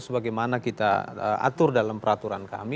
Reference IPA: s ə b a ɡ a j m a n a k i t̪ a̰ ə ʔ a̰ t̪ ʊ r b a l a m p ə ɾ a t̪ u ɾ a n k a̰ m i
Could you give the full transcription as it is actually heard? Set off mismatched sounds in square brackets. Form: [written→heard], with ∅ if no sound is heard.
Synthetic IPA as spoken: s ə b a ɡ a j m a n a k i t̪ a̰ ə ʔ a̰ t̪ ʊ r [b→d] a l a m p ə ɾ a t̪ u ɾ a n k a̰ m i